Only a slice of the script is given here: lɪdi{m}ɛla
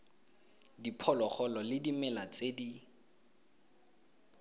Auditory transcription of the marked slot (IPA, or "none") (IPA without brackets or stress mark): m